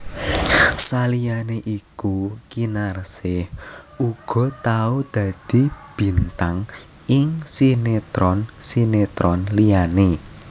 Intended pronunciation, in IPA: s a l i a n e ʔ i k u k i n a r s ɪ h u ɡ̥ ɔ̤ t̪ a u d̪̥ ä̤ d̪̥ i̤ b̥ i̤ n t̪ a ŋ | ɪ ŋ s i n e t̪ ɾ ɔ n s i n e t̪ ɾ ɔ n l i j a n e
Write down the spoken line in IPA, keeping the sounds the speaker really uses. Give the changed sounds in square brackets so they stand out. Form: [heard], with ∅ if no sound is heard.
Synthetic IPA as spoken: s a l i a n e ʔ i k u k i n a r s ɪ h u ɡ̥ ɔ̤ t̪ a u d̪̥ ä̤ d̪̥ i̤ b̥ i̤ n t̪ a ŋ | ɪ ŋ s i n e t̪ ɾ ɔ n s i n e t̪ ɾ ɔ n l i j a n e